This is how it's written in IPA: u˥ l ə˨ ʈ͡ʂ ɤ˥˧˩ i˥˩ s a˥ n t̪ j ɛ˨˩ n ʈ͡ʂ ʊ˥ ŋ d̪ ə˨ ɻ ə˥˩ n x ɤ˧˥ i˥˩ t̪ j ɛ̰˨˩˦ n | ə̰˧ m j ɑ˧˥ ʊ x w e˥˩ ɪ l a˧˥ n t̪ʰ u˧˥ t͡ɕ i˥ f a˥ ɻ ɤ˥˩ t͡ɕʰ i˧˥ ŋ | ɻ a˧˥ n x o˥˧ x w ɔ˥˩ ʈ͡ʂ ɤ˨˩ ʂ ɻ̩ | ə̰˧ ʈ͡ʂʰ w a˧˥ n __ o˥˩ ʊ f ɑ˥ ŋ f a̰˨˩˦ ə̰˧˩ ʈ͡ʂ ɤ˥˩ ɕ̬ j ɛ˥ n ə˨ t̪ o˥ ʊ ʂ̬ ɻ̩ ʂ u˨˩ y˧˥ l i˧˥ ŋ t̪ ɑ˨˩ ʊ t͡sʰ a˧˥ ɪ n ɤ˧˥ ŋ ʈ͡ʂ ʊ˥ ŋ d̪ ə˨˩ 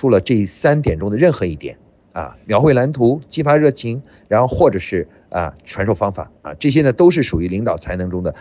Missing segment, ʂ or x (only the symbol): ʂ